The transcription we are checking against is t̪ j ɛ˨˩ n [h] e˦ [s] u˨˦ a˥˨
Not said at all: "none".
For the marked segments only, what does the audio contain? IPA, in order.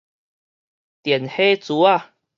h, t͡s

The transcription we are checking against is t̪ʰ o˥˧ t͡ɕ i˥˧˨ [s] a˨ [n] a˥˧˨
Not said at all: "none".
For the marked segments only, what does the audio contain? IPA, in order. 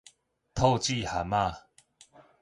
h, m

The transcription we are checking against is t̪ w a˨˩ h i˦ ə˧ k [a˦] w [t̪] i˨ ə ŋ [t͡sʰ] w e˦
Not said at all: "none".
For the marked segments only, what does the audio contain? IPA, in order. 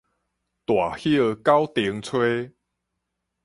a˦, t̪, t͡sʰ

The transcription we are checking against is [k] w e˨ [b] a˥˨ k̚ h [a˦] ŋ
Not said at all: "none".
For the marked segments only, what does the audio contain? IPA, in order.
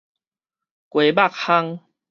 k, b, a˦

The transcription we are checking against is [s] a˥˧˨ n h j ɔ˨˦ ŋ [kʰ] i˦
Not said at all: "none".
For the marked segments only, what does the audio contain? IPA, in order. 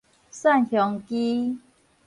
s, k

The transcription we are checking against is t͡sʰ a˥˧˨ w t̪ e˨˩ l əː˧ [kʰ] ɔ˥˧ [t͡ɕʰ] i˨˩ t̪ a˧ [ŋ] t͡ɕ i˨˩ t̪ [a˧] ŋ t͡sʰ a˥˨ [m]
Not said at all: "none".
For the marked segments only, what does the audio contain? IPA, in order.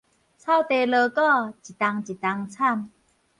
k, t͡ɕ, ŋ, a˧, m

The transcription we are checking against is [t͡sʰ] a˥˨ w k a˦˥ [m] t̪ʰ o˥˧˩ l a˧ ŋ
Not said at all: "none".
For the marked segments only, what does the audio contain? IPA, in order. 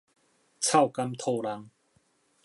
t͡sʰ, m

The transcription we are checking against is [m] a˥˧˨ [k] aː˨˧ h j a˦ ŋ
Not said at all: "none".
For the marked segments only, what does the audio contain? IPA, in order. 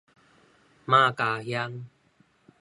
m, k

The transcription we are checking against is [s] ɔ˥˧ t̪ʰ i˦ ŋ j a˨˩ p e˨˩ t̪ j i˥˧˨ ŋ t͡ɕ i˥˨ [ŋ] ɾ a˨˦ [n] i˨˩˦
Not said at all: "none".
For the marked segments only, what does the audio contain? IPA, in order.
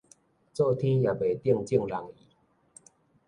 t͡s, ŋ, ŋ

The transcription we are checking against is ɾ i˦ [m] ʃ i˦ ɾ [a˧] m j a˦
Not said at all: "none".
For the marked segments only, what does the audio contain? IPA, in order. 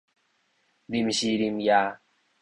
m, i˧

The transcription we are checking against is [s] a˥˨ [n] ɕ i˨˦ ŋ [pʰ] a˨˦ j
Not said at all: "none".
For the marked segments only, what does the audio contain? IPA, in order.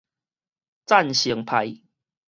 t͡s, n, pʰ

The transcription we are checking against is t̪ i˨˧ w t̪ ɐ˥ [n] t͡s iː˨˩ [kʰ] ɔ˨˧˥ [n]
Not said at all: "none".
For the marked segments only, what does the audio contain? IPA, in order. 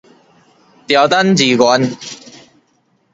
n, k, n

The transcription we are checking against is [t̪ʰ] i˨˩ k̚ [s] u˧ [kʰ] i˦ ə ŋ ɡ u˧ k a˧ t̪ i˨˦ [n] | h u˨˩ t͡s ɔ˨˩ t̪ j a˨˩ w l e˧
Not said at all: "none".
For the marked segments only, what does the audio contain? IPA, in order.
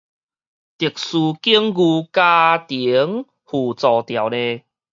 t̪, s, k, ŋ

